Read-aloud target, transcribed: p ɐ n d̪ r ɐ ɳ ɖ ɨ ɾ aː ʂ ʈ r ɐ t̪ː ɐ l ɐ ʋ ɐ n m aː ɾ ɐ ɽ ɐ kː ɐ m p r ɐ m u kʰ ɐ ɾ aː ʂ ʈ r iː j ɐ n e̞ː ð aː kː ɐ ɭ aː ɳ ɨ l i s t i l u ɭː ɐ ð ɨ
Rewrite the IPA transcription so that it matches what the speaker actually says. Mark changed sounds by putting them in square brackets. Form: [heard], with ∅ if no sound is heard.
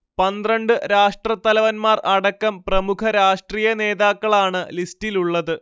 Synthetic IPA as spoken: p ɐ n d̪ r ɐ ɳ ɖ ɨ ɾ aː ʂ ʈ r ɐ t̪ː ɐ l ɐ ʋ ɐ n m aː [r] ɐ ɽ ɐ kː ɐ m p r ɐ m u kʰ ɐ ɾ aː ʂ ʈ r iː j ɐ n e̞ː ð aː kː ɐ ɭ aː ɳ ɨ l i s t i l u ɭː ɐ ð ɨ